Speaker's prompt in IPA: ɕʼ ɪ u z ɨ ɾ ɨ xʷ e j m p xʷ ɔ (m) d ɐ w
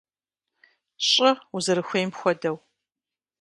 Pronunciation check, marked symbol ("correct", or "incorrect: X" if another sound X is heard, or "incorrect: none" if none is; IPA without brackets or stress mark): incorrect: none